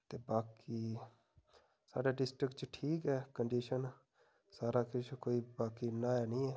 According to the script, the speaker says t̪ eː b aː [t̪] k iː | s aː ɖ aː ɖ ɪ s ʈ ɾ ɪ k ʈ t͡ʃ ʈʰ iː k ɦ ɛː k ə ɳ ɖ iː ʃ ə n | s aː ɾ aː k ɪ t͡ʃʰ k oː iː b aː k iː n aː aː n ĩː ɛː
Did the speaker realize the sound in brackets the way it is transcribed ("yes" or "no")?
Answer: no